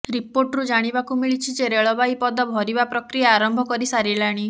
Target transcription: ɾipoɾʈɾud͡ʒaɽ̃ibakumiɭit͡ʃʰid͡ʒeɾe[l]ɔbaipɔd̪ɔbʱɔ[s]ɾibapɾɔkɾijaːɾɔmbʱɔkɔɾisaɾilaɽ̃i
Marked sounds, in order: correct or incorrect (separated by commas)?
incorrect, incorrect